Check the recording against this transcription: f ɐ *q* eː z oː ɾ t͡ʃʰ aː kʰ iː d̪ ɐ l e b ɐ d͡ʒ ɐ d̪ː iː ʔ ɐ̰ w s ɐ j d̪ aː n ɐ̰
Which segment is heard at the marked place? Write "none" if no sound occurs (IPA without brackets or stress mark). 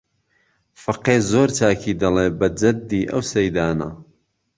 q